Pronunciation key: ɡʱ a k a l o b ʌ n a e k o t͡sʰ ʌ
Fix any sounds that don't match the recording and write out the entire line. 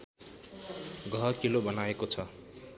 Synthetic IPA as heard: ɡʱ ʌ k i l o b ʌ n a e k o t͡sʰ ʌ